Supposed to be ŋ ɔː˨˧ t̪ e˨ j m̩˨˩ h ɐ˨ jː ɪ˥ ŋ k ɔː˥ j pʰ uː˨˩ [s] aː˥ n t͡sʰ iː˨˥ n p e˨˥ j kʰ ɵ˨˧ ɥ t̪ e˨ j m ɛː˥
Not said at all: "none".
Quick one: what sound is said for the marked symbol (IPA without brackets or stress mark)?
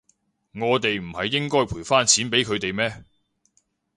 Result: f